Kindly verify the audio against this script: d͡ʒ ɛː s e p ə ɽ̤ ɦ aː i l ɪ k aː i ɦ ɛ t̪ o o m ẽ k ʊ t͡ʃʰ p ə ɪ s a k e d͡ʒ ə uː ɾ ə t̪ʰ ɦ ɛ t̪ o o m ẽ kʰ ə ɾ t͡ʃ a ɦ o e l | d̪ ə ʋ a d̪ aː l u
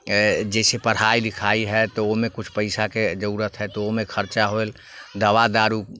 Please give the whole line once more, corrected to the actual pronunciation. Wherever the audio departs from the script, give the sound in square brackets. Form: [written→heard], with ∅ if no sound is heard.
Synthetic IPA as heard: d͡ʒ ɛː s e p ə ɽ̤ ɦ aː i l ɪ [k→kʰ] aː i ɦ ɛ t̪ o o m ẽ k ʊ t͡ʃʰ p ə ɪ s a k e d͡ʒ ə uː ɾ ə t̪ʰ ɦ ɛ t̪ o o m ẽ kʰ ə ɾ t͡ʃ a ɦ o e l | d̪ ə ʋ a d̪ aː [l→ɾ] u